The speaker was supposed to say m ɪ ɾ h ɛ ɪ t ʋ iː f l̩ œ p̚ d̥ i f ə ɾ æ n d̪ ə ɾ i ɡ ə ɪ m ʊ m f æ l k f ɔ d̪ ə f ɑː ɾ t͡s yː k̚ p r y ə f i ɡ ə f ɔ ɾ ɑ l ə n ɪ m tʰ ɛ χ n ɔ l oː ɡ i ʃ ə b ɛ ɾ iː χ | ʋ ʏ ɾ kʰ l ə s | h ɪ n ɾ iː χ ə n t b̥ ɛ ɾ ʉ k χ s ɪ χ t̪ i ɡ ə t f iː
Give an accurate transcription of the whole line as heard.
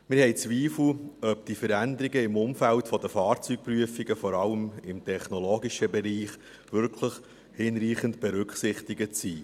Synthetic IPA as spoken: m ɪ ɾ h ɛ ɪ t͡s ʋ iː f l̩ œ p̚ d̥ i f ə ɾ æ n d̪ ə ɾ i ɡ ə ɪ m ʊ m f æ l t f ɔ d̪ ə f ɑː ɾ t͡s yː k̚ p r y ə f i ɡ ə f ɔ ɾ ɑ l ə m ɪ m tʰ ɛ χ n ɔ l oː ɡ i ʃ ə b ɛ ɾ iː χ | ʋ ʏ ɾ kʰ l ə χ | h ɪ n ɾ iː χ ə n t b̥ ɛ ɾ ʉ k χ s ɪ χ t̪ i ɡ ə t s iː